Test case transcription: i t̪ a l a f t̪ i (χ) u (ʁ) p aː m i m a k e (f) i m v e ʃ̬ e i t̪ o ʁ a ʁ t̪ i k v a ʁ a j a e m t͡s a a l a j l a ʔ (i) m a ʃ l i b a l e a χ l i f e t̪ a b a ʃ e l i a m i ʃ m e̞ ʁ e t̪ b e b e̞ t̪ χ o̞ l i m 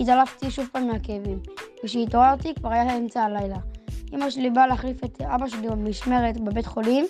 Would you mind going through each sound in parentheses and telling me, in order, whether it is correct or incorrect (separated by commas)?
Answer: incorrect, incorrect, incorrect, correct